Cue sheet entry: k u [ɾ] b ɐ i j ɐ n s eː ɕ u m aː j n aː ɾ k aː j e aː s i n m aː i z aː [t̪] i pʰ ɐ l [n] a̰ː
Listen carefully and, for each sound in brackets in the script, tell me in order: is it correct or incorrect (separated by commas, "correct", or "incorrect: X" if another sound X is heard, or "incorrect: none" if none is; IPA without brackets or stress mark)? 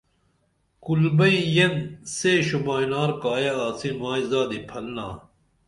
incorrect: l, incorrect: d̪, correct